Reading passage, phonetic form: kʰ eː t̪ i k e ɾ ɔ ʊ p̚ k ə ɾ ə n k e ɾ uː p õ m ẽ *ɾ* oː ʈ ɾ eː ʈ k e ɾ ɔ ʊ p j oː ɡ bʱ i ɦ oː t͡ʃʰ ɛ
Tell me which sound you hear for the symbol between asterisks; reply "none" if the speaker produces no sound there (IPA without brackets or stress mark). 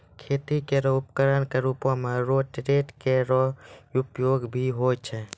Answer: ɾ